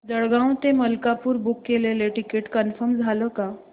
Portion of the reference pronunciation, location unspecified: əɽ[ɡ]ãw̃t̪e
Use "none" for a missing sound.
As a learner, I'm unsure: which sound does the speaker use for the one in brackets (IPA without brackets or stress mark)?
ɡ